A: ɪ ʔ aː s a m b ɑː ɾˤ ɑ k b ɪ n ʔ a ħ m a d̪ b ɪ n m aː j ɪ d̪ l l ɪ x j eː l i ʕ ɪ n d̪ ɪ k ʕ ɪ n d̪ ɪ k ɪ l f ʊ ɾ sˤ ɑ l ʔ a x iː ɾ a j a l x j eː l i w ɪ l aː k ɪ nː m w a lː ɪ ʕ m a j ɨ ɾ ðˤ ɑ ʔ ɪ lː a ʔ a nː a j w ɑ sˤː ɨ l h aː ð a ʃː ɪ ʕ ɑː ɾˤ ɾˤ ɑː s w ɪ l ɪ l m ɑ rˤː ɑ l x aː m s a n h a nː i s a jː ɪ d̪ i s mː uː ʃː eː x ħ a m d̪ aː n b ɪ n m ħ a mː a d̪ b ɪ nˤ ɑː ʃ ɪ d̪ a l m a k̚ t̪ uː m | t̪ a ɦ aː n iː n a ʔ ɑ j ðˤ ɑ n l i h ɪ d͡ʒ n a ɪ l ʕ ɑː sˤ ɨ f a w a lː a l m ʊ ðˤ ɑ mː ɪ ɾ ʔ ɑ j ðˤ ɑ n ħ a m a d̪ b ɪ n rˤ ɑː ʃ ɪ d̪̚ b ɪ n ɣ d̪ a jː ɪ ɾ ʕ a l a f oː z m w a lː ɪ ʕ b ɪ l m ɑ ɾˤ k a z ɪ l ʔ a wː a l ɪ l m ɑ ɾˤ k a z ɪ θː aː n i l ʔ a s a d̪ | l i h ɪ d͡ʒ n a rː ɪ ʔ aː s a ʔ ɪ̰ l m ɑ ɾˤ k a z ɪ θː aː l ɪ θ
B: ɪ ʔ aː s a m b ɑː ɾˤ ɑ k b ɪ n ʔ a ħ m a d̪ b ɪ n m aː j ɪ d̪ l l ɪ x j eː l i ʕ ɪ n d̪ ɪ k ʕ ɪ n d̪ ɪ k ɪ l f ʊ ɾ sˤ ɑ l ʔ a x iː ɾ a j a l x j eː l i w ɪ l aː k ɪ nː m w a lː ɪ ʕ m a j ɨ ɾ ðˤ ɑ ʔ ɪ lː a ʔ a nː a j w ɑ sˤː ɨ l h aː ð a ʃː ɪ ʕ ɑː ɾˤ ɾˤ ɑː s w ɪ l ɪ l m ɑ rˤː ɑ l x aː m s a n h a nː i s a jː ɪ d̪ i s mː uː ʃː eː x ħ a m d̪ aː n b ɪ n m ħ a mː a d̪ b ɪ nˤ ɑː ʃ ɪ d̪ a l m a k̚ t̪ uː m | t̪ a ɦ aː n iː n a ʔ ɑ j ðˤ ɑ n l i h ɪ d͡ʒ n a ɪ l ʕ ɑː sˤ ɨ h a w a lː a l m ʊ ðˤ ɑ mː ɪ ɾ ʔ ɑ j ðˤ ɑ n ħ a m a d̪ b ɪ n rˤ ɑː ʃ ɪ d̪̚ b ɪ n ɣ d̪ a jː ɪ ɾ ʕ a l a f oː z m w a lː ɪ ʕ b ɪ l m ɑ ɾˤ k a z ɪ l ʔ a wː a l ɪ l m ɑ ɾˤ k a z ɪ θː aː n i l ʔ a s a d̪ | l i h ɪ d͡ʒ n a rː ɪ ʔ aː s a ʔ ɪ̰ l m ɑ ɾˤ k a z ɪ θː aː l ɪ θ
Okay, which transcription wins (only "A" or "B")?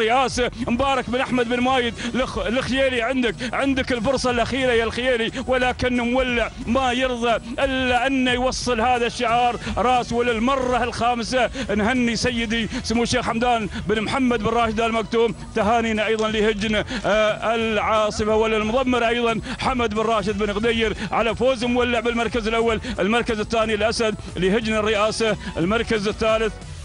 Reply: A